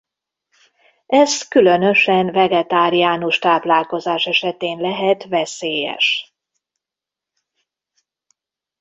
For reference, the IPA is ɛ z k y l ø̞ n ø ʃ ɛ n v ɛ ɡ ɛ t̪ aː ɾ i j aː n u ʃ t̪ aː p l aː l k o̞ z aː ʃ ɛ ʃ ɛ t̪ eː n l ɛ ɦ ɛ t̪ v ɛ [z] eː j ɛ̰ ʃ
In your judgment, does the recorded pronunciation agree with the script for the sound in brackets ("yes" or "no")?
no